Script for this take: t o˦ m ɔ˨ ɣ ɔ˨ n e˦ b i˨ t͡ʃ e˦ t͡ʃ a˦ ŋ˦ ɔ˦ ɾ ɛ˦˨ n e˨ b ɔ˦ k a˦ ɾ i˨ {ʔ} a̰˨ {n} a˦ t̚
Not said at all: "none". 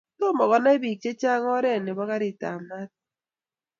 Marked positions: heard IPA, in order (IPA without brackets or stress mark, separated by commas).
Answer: t, m